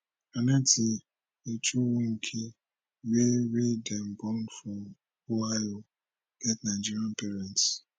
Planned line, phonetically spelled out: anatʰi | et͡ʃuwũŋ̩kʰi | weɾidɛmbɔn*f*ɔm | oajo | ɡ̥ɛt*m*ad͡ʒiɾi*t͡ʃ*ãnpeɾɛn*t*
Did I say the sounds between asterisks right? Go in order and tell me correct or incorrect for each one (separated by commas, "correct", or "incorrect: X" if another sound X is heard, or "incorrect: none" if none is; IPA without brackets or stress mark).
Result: correct, incorrect: n, incorrect: none, correct